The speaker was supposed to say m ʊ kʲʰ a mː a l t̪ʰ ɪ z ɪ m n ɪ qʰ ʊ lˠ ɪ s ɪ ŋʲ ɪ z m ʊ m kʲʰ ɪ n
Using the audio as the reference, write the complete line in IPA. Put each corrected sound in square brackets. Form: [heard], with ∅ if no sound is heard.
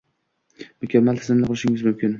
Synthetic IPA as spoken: m ʊ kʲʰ a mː a l t̪ʰ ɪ z ɪ m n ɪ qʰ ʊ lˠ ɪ [ʃ] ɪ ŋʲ ɪ z m ʊ m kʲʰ ɪ n